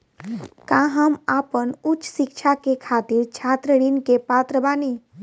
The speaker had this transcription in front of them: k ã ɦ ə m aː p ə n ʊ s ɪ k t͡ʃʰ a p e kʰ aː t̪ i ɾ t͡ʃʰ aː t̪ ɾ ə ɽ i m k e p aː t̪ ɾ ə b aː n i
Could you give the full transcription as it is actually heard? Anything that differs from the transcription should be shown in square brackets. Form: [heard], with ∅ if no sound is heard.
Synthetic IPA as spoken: k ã ɦ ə m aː p ə n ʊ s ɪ k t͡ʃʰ a [k] e kʰ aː t̪ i ɾ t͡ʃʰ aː t̪ ɾ ə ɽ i [n] k e p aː t̪ ɾ ə b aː n i